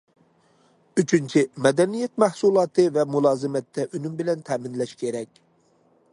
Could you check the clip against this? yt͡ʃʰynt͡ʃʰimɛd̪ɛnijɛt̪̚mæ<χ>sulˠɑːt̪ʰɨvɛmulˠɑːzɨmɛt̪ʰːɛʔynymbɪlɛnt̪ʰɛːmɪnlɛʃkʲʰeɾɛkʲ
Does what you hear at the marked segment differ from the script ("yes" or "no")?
yes